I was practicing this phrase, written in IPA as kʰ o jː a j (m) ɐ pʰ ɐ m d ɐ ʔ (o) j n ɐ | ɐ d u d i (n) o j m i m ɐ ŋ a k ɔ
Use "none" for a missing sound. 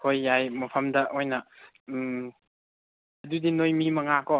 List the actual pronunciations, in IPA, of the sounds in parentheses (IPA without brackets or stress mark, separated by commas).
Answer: m, o, n